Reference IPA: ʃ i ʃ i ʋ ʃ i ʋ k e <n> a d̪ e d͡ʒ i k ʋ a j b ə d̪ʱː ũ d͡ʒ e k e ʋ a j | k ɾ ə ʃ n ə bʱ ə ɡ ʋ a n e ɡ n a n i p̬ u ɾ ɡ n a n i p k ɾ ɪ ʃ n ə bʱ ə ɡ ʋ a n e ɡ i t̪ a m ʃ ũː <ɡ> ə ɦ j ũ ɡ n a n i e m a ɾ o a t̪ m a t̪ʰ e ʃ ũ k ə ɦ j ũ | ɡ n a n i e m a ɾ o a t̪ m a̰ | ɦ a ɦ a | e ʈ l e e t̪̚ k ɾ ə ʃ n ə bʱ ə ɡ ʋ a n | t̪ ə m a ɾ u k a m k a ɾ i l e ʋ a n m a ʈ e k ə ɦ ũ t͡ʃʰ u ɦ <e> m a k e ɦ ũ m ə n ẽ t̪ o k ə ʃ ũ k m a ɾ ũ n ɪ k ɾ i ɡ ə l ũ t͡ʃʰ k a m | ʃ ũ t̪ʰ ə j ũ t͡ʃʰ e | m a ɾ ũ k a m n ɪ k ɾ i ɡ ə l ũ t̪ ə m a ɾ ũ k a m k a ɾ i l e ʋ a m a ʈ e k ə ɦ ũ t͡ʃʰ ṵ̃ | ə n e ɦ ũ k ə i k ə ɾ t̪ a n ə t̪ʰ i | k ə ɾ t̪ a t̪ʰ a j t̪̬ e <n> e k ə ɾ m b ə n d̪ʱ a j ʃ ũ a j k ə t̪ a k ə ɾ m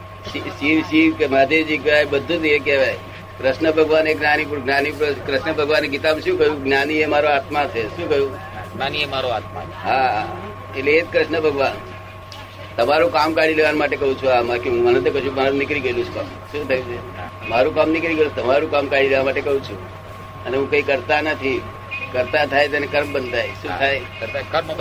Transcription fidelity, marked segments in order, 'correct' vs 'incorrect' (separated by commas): incorrect, incorrect, incorrect, correct